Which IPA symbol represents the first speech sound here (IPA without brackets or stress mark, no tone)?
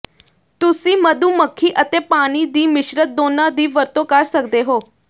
t̪